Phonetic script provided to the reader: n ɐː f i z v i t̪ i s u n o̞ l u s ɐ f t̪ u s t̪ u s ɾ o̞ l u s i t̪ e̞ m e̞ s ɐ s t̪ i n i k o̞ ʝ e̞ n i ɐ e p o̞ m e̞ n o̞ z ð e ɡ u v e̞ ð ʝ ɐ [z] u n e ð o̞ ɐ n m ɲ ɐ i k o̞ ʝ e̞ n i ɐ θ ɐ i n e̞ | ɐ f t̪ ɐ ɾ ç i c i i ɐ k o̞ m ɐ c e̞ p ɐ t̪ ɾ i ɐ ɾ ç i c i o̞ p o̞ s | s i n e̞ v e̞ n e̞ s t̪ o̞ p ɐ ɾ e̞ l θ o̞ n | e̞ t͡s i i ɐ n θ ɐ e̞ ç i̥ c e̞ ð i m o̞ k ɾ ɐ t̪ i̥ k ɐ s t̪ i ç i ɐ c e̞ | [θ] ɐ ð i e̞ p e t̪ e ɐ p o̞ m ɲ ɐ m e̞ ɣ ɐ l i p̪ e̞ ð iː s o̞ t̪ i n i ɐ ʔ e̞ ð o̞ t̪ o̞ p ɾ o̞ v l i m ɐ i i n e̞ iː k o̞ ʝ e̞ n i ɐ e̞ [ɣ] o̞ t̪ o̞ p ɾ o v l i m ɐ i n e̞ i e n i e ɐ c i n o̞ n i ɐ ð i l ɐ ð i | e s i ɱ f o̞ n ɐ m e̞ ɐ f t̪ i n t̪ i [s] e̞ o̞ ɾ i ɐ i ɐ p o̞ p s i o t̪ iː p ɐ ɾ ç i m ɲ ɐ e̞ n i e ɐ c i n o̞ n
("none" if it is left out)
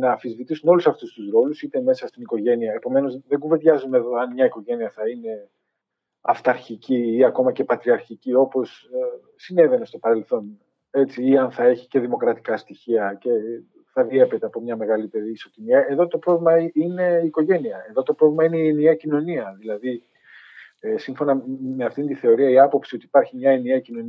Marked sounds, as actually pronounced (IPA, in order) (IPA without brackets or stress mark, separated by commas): z, θ, ð, θ